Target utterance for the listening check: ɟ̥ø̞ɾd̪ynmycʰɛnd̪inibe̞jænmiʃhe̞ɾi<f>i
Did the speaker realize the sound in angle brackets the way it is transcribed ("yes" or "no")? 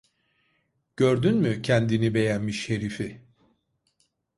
yes